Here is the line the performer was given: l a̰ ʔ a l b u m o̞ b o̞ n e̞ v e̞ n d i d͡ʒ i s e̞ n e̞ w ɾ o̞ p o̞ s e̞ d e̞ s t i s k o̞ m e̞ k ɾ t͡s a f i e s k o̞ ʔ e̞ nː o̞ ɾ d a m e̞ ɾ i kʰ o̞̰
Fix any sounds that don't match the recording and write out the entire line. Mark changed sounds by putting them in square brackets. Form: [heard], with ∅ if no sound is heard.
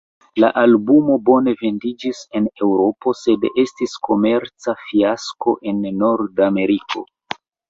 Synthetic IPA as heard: l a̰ ʔ a l b u m o̞ b o̞ n e̞ v e̞ n d i d͡ʒ i s e̞ n e̞ w ɾ o̞ p o̞ s e̞ d e̞ s t i s k o̞ m e̞ [∅] ɾ t͡s a f i [a] s k o̞ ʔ e̞ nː o̞ ɾ d a m e̞ ɾ i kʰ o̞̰